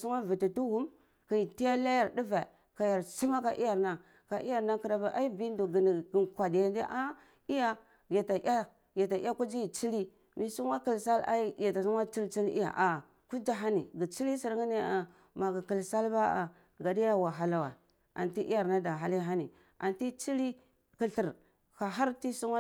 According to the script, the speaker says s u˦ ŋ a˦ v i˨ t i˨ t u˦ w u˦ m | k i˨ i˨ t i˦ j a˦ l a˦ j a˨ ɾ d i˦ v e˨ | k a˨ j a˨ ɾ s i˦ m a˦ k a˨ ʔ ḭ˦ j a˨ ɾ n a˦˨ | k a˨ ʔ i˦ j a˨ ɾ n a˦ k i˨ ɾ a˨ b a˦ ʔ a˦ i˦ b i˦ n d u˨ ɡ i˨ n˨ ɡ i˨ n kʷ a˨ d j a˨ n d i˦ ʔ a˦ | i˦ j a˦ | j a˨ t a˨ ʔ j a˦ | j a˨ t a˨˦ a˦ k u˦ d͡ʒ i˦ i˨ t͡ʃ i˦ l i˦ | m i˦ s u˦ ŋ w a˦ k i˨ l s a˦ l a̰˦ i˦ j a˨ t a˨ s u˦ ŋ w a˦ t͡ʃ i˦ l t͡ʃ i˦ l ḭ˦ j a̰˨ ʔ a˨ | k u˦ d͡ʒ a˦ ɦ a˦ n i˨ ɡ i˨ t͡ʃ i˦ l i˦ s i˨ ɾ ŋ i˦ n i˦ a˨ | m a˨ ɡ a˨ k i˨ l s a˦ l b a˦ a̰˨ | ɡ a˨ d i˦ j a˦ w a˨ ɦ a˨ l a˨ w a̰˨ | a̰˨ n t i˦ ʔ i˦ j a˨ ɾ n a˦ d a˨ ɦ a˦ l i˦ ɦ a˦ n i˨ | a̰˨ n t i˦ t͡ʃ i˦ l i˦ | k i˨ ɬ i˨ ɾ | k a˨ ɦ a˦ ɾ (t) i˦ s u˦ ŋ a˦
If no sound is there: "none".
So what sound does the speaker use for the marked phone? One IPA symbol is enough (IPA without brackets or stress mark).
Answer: t